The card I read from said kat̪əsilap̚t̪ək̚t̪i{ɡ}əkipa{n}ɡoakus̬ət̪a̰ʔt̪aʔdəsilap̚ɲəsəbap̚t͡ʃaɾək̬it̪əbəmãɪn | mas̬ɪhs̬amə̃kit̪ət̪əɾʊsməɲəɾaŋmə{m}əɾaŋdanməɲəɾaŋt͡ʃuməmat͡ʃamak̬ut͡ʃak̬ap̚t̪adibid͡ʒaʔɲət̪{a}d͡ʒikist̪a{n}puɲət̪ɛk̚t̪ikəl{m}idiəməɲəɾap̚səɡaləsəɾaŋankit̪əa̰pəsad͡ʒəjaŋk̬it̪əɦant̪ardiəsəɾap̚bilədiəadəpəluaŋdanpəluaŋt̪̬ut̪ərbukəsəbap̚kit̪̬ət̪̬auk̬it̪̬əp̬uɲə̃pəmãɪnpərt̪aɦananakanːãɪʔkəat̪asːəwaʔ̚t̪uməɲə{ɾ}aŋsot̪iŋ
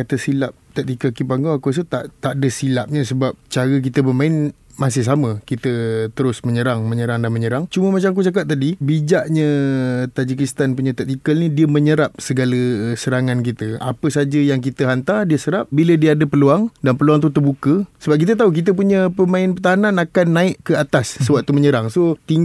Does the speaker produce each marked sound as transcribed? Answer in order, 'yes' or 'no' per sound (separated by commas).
no, no, no, yes, yes, no, yes